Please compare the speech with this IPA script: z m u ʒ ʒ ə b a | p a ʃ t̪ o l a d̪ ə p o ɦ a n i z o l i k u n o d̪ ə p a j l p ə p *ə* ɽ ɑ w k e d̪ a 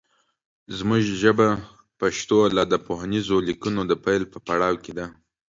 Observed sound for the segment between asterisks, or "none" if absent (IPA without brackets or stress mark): a